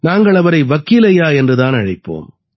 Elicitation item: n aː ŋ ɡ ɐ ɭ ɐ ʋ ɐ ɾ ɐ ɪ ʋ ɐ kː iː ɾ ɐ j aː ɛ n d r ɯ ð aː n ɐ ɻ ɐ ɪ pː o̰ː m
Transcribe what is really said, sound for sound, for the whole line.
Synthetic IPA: n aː ŋ ɡ ɐ ɭ ɐ ʋ ɐ ɾ ɐ ɪ ʋ ɐ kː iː l ɐ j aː ɛ n d r ɯ ð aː n ɐ ɻ ɐ ɪ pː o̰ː m